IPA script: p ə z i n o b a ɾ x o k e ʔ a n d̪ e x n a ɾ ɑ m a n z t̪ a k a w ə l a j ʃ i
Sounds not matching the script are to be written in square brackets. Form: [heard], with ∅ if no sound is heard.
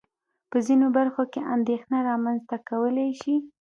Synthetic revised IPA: p ə z i n o b a ɾ x o k e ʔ a n d̪ e x n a ɾ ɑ m a n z t̪ a k a w ə l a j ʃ i

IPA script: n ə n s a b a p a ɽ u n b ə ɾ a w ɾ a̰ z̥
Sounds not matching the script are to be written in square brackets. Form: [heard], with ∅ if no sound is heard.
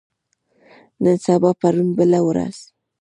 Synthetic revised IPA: n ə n s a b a p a [ɾ] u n b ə [l] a w ɾ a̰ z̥

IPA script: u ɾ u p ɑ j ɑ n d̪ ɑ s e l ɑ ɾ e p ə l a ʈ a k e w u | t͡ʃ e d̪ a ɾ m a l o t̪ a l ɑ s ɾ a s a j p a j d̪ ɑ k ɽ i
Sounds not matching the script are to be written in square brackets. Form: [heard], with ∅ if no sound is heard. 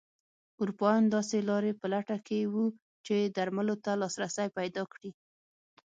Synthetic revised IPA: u ɾ u p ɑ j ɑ n d̪ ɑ s e l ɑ ɾ e p ə l a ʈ a k e w u | t͡ʃ e d̪ a ɾ m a l o t̪ a l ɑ s ɾ a s a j p a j d̪ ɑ k ɽ i

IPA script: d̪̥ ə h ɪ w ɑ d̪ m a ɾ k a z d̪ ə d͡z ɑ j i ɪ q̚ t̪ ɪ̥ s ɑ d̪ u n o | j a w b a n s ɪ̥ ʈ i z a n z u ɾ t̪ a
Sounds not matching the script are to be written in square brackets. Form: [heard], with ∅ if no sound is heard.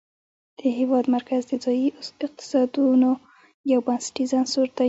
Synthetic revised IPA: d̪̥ ə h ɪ w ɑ d̪ m a ɾ k a z d̪ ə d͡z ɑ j i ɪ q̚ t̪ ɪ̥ s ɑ d̪ u n o | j a w b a n s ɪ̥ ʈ i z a n [s] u ɾ t̪ a

